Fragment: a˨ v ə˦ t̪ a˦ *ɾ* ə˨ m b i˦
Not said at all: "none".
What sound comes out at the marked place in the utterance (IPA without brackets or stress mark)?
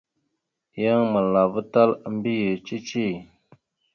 l